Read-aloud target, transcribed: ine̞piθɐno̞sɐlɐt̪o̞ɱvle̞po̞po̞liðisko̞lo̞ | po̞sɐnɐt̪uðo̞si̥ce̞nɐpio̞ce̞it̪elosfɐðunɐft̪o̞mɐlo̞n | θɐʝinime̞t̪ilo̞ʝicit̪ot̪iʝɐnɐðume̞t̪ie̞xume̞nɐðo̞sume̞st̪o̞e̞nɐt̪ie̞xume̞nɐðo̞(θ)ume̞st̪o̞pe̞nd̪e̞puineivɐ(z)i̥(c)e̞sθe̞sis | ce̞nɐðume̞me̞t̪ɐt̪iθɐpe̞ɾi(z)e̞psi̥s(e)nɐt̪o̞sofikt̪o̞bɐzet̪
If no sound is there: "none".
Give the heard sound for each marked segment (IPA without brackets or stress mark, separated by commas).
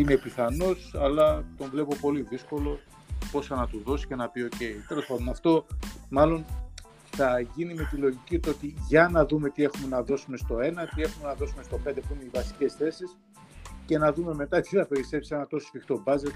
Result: s, s, c, s, e